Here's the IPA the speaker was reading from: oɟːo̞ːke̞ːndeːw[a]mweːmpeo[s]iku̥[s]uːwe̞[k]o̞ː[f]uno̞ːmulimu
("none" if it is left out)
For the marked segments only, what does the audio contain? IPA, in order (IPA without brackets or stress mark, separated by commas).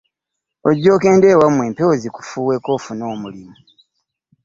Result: a, z, f, k, f